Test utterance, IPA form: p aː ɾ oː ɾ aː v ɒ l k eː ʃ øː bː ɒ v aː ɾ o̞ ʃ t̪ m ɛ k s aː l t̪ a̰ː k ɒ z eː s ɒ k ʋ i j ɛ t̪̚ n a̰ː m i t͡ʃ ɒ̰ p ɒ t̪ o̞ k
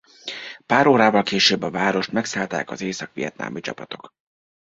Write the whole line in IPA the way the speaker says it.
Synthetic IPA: p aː ɾ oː ɾ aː v ɒ l k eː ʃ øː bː ɒ v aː ɾ o̞ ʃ t̪ m ɛ k s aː l t̪ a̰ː k ɒ z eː s ɒ k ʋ i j ɛ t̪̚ n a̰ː m i t͡ʃ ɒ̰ p ɒ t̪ o̞ k